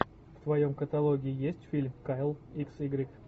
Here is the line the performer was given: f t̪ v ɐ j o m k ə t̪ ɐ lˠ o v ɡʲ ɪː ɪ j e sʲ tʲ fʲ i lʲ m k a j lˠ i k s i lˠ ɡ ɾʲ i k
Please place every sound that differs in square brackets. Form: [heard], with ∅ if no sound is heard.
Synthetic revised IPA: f t̪ v ɐ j o m k ə t̪ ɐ lˠ o [∅] ɡʲ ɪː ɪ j e sʲ tʲ fʲ i lʲ m k a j lˠ i k s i [∅] ɡ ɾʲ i k